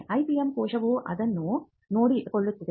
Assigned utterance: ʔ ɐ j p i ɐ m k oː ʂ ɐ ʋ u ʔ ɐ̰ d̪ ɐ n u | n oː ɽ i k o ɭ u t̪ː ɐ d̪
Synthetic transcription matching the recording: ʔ ɐ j p i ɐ m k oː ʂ ɐ ʋ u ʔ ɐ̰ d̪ ɐ nː u | n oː ɽ i k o ɭː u t̪ː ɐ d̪